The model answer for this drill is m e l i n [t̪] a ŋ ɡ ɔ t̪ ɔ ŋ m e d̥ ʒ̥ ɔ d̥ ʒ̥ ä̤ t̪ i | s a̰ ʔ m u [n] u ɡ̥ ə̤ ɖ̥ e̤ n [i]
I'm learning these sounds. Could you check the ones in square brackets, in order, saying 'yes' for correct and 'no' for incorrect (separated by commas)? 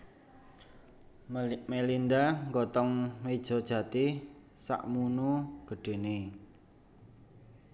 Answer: no, yes, no